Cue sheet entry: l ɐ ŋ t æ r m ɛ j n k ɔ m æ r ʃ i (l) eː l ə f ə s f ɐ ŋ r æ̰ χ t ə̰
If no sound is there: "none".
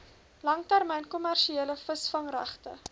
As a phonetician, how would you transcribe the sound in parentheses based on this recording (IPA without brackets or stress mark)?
none